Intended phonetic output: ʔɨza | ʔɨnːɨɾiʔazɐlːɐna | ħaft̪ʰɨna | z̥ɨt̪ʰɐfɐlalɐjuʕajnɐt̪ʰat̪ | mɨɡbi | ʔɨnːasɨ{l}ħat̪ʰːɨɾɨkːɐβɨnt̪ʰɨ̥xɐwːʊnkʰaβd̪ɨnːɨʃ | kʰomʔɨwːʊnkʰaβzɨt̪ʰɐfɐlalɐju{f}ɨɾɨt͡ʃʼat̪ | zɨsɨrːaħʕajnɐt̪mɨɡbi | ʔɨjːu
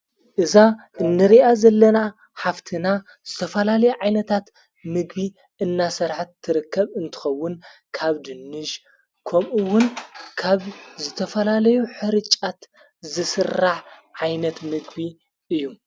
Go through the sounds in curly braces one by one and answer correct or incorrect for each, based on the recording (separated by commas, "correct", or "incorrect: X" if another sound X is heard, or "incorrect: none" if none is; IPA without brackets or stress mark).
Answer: incorrect: ɾ, incorrect: ħ